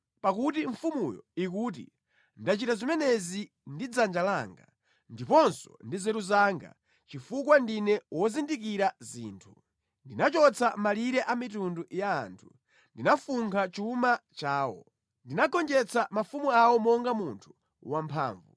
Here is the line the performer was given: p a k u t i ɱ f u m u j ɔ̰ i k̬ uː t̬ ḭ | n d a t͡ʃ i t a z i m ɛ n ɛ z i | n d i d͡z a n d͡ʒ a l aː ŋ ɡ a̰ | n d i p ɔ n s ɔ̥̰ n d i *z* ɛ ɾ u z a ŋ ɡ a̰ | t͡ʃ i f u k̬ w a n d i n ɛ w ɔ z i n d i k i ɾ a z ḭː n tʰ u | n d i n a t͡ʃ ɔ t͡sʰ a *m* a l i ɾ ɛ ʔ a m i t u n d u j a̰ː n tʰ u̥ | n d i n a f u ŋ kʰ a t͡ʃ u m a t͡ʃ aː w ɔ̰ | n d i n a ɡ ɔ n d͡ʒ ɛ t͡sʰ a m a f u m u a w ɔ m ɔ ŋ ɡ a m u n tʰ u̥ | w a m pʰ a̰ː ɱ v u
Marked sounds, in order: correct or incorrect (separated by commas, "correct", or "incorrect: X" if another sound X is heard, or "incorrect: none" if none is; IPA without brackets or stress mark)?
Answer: correct, correct